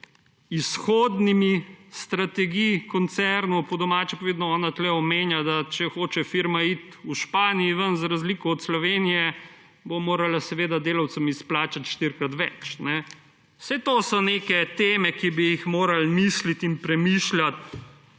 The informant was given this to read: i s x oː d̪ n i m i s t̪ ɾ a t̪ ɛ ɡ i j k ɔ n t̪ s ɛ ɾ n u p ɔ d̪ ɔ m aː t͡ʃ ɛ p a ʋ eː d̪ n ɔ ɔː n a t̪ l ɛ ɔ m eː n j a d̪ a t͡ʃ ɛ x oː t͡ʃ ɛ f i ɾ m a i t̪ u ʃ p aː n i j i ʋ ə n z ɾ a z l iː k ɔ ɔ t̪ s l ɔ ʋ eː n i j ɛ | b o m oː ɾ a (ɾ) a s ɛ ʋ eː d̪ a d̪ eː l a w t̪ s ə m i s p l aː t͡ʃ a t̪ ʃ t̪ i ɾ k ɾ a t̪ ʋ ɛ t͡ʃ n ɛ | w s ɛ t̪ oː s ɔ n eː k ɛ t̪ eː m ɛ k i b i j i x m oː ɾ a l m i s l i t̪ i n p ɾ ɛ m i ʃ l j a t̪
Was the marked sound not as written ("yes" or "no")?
yes